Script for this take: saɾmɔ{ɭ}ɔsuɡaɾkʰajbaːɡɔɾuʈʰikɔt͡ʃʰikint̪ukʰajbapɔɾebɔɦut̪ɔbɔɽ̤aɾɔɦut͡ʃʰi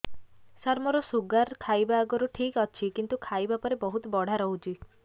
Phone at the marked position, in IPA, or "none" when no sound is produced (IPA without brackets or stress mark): ɾ